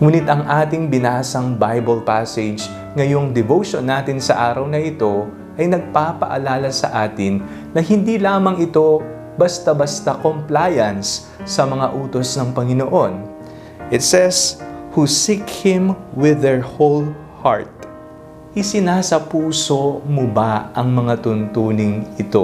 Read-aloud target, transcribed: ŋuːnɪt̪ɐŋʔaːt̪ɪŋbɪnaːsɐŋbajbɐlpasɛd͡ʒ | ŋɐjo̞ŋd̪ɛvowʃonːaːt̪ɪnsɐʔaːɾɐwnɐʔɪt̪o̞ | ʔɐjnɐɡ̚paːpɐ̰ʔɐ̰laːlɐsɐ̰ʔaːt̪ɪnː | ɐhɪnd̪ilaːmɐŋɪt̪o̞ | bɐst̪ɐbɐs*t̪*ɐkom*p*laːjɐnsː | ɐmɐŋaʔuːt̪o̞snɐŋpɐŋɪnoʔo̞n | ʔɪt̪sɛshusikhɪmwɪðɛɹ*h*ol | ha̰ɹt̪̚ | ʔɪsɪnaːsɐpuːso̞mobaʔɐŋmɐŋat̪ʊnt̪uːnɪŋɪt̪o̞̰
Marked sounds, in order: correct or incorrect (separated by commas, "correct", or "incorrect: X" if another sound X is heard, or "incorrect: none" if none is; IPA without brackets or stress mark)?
correct, correct, correct